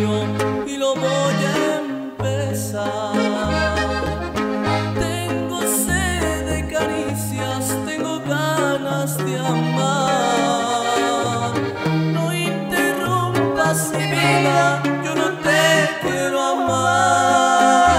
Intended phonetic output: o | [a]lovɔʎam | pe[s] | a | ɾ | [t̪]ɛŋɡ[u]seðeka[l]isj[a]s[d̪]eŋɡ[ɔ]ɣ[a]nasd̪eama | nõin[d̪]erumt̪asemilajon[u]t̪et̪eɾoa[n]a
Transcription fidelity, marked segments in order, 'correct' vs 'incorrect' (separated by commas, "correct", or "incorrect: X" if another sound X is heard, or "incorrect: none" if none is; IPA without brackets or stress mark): incorrect: i, correct, correct, incorrect: o, incorrect: ɾ, correct, incorrect: t̪, incorrect: o, correct, incorrect: t̪, incorrect: o, incorrect: m